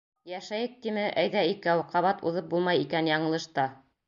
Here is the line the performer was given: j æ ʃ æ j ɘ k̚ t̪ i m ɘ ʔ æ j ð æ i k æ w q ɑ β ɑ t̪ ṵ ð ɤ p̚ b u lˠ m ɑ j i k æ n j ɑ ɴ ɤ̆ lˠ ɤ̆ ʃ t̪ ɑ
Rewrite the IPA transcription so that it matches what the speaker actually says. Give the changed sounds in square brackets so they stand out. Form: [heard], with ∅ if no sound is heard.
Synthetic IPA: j æ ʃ æ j ɘ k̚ t̪ i m ɘ ʔ æ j ð æ i k æ w q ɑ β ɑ t̪ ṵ ð ɤ p̚ b u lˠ m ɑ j i k æ n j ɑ ɴ ɤ̆ lˠ ɤ̆ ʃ t̪ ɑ